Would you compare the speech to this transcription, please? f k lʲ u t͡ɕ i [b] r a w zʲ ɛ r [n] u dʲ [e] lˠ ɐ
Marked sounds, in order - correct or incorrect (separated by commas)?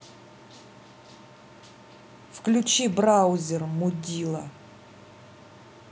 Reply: correct, incorrect, incorrect